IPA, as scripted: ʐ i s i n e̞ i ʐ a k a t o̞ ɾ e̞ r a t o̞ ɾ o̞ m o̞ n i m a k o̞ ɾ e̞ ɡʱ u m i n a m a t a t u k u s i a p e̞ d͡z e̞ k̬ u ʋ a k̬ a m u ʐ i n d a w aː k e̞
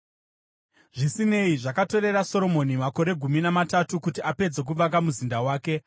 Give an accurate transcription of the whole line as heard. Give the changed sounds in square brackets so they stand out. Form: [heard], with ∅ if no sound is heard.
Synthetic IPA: ʐ i s i n e̞ i ʐ a k a t o̞ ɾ e̞ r a [s] o̞ ɾ o̞ m o̞ n i m a k o̞ ɾ e̞ ɡʱ u m i n a m a t a t u k u [t] i a p e̞ d͡z e̞ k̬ u ʋ a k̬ a m u [z] i n d a w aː k e̞